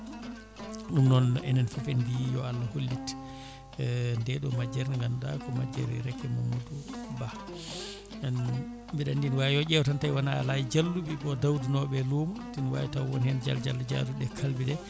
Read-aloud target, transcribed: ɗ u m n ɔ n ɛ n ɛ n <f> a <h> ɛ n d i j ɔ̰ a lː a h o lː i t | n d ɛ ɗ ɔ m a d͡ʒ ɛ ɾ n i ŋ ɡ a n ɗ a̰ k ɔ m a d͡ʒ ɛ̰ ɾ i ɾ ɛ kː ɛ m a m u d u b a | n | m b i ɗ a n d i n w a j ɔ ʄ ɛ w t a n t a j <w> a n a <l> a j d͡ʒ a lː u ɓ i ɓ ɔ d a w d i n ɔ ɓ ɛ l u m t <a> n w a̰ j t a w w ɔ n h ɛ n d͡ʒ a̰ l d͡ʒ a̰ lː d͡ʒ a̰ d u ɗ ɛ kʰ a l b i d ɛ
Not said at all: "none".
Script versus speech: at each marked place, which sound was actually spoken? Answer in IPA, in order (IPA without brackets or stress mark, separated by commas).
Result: f, f, w, l, i